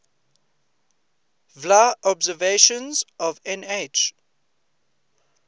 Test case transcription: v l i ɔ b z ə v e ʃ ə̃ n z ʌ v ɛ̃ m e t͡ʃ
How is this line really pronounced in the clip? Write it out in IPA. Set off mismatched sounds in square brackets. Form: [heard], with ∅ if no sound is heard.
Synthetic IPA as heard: v l [a] ɔ b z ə v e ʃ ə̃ n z [ɔ] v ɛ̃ [n] e t͡ʃ